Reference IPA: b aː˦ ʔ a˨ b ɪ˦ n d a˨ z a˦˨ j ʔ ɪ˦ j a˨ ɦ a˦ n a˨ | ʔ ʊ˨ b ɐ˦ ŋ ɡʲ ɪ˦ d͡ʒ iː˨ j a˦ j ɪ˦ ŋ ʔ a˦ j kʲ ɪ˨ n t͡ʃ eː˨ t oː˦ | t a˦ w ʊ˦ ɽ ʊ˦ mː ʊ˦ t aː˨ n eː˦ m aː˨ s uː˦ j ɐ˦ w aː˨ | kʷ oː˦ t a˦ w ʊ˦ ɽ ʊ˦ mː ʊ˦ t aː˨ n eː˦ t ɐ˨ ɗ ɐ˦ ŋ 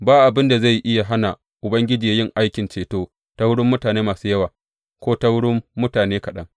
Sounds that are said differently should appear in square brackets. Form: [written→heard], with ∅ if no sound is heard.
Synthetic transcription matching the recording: b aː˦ ʔ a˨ b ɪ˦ n d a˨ z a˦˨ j ʔ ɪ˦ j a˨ ɦ a˦ n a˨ | ʔ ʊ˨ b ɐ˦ ŋ ɡʲ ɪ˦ d͡ʒ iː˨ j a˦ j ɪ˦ ŋ ʔ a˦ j kʲ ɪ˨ n t͡ʃ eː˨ t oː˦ | t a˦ w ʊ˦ ɽ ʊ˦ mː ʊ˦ t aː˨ n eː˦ m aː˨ s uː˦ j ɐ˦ w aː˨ | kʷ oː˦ t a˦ w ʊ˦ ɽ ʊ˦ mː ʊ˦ t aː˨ n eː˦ [t→k] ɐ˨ ɗ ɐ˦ ŋ